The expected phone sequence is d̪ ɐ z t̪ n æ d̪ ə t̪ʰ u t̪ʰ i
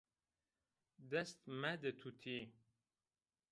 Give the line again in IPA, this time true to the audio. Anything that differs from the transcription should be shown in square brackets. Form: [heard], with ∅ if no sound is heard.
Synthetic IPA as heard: d̪ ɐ [s] t̪ [m] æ d̪ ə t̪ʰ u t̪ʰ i